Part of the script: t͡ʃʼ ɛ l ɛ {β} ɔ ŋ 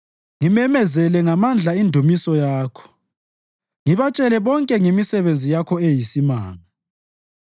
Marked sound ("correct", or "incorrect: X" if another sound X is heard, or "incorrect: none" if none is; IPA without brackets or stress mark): correct